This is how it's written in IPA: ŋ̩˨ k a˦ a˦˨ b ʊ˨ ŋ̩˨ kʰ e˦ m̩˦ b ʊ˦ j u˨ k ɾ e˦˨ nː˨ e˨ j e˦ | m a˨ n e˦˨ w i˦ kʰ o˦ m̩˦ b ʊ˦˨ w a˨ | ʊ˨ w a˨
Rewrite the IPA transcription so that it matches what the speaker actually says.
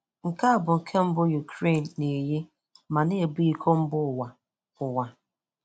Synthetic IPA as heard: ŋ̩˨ k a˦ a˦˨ b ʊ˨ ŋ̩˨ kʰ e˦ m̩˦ b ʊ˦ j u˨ k ɾ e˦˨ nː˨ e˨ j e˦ | m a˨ n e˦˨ b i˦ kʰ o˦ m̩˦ b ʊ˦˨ w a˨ | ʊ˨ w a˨